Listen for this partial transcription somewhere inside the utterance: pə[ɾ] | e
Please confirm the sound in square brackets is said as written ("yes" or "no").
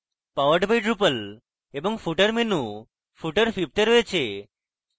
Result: no